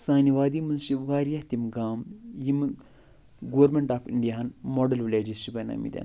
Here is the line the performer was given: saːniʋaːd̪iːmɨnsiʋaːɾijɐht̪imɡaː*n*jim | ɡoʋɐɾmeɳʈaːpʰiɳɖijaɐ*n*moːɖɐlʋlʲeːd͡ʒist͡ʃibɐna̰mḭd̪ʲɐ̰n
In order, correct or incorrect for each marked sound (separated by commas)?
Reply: incorrect, correct